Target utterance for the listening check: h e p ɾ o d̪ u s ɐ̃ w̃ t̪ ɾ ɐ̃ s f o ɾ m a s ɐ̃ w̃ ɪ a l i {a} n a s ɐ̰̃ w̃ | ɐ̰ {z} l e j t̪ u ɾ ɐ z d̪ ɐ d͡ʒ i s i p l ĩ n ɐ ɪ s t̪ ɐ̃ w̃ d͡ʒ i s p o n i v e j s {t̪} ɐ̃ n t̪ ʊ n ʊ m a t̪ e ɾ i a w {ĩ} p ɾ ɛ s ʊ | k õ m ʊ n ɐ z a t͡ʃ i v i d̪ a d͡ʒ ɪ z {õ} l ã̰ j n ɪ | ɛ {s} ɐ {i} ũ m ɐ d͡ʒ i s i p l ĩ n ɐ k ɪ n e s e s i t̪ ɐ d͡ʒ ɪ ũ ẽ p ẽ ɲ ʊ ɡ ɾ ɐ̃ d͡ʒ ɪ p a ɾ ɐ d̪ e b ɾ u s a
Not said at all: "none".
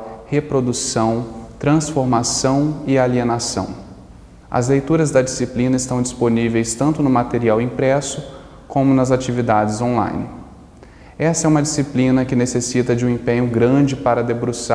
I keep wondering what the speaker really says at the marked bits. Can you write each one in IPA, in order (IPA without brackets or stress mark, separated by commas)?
e, z, t̪, ĩ, õ, s, ɛ